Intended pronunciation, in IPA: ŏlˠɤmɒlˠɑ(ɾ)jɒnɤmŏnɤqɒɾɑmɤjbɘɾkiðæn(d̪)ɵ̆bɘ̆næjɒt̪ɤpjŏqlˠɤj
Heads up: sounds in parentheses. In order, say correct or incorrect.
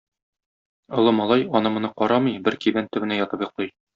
incorrect, incorrect

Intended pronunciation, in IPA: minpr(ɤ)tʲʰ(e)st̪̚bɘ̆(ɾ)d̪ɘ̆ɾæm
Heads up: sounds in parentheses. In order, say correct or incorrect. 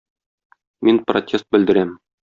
incorrect, correct, incorrect

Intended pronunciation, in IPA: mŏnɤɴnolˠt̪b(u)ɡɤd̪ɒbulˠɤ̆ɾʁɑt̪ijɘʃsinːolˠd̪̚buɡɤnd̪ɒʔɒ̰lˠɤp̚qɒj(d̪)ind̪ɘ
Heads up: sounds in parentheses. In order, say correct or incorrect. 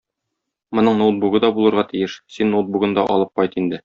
correct, incorrect

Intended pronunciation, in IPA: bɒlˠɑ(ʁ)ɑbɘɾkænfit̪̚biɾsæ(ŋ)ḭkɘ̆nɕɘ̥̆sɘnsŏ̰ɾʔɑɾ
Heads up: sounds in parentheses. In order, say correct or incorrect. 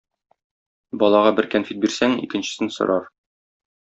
correct, correct

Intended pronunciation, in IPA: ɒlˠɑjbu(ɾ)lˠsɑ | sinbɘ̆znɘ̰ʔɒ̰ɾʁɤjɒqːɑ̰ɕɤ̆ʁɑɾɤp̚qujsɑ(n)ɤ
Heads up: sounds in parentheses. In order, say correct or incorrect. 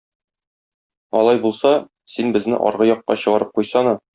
incorrect, correct

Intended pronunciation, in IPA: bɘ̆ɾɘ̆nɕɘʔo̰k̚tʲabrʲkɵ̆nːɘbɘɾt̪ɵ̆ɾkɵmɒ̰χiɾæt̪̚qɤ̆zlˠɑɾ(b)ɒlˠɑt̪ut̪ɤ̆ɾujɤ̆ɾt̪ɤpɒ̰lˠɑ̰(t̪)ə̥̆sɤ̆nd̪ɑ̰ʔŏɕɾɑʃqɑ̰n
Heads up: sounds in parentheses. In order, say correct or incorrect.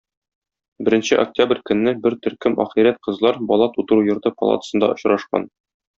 correct, correct

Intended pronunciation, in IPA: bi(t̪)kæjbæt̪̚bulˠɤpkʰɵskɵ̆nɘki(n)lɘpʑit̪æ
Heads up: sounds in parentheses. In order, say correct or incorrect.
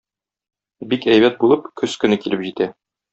incorrect, incorrect

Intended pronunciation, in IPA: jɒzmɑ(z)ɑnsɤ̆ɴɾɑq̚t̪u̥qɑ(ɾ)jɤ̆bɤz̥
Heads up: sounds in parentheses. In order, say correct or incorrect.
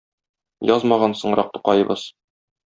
incorrect, incorrect

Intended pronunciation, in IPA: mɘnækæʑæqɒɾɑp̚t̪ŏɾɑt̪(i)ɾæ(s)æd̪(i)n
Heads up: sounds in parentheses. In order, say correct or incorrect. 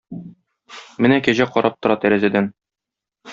incorrect, incorrect, incorrect

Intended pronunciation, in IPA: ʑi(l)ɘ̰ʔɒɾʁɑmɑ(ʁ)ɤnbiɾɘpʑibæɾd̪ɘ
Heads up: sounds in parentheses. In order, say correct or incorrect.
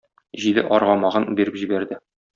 correct, correct

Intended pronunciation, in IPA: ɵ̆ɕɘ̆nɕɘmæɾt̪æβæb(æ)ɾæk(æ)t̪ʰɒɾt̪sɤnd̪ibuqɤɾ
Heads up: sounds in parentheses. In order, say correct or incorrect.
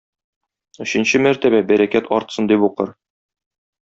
correct, correct

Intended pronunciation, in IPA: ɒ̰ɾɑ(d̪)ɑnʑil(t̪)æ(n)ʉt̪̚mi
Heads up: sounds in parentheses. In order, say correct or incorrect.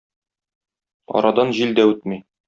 correct, incorrect, incorrect

